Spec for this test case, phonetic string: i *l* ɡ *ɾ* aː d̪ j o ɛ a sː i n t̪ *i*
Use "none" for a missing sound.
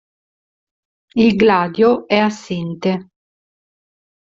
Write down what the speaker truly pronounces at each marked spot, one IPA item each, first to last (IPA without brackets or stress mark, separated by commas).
l, l, e